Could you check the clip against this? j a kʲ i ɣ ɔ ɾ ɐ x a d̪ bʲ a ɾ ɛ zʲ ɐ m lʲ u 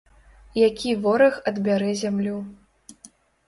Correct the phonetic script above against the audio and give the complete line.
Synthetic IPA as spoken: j a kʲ i v ɔ ɾ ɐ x ɐ d̪ bʲ a ɾ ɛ zʲ a m lʲ u